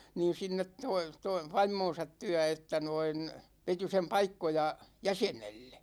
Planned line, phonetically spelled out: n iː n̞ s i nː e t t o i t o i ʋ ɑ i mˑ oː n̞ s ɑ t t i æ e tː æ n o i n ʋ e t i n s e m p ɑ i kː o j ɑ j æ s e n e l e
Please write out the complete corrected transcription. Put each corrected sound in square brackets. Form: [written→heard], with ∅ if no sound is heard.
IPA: n iː n̞ s i nː e t t o i t o i ʋ ɑ i mˑ oː n̞ s ɑ t t [i→y] æ e tː æ n o i n ʋ e t i [n→∅] s e m p ɑ i kː o j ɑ j æ s e n e [l→lː] e